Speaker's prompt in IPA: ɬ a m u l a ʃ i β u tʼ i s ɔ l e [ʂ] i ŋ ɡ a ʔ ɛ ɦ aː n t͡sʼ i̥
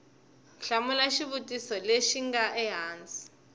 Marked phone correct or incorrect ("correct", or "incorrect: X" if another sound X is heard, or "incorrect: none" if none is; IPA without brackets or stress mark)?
incorrect: ʃ